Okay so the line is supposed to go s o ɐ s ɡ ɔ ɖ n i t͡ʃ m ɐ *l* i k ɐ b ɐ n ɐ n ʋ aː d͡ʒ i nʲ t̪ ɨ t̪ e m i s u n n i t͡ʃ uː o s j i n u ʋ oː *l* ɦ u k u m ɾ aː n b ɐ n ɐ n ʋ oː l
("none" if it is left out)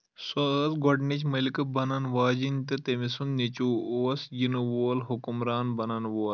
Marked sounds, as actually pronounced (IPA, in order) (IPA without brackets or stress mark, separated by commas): l, l